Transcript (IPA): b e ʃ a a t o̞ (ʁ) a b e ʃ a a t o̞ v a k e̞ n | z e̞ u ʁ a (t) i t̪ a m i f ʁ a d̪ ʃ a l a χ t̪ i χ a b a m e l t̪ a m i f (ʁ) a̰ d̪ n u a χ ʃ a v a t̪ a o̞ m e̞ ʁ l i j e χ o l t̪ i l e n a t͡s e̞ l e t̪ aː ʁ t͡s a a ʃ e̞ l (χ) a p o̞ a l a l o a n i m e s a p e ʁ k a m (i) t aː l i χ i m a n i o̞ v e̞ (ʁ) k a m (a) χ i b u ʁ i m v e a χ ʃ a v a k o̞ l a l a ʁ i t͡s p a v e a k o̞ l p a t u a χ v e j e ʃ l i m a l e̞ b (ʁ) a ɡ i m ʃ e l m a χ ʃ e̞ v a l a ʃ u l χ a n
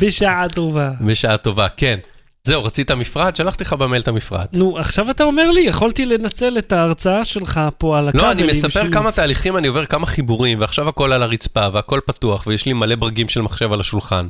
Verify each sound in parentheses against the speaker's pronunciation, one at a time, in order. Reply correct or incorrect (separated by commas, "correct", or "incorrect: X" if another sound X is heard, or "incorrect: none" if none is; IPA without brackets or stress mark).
incorrect: v, incorrect: t͡s, correct, correct, incorrect: a, correct, correct, correct